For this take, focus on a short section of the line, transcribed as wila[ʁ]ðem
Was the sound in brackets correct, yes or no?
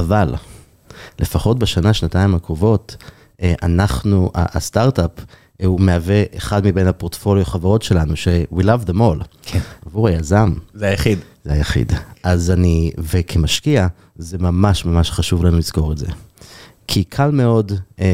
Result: no